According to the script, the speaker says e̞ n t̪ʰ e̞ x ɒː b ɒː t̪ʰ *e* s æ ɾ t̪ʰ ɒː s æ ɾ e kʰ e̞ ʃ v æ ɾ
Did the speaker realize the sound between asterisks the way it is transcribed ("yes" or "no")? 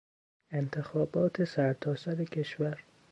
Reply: yes